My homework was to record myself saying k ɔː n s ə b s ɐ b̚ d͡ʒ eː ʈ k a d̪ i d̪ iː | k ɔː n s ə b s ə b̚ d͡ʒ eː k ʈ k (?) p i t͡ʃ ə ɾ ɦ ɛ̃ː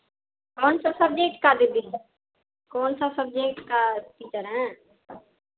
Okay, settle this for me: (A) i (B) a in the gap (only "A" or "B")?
B